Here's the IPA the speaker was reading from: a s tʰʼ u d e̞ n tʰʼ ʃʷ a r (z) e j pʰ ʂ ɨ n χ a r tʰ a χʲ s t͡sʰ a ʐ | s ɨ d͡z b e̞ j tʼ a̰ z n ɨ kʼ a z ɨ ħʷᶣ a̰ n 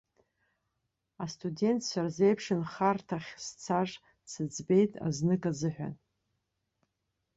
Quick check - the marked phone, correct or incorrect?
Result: correct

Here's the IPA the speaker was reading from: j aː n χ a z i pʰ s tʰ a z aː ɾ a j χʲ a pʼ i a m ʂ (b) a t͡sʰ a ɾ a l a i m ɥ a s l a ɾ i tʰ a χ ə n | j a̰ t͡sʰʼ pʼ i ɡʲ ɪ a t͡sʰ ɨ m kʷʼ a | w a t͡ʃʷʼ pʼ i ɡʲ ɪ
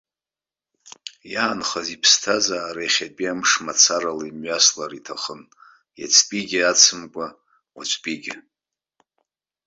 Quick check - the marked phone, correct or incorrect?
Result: incorrect: m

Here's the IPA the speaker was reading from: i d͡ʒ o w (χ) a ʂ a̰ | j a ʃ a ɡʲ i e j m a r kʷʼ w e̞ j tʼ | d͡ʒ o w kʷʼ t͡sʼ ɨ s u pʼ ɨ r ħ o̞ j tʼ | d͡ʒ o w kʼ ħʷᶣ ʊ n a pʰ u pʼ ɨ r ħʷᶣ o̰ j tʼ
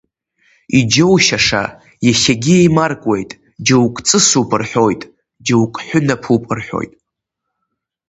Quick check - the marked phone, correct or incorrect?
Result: incorrect: ʃ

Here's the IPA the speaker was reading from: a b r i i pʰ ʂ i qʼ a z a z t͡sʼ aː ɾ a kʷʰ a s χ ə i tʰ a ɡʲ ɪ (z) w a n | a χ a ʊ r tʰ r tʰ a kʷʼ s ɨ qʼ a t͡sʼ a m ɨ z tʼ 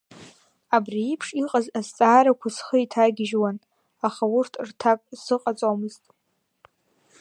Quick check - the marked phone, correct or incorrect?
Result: incorrect: ʒ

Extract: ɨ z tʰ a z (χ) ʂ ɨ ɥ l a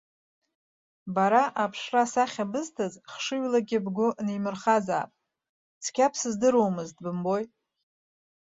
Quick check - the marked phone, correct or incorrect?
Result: correct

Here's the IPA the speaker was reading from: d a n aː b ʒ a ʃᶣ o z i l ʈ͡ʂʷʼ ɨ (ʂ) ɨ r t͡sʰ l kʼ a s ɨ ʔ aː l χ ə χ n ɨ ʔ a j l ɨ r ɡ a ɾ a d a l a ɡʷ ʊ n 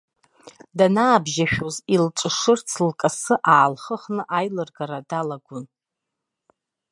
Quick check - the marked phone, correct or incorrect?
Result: correct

